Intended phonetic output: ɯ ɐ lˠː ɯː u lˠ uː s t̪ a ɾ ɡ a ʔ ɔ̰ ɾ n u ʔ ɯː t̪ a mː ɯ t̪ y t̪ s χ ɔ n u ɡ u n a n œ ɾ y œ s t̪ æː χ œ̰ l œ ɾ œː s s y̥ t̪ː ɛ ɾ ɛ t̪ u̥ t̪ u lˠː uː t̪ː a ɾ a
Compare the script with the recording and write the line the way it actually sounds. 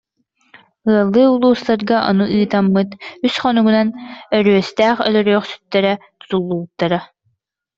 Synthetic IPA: ɯ ɐ lˠː ɯː u lˠ uː s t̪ a ɾ ɡ a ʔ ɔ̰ n u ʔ ɯː t̪ a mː ɯ t̪ y s χ ɔ n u ɡ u n a n œ ɾ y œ s t̪ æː χ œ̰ l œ ɾ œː χ s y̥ t̪ː ɛ ɾ ɛ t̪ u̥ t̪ u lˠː uː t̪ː a ɾ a